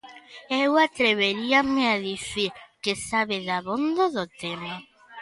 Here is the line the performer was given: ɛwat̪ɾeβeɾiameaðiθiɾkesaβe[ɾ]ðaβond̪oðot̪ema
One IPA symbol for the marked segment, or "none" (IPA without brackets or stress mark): none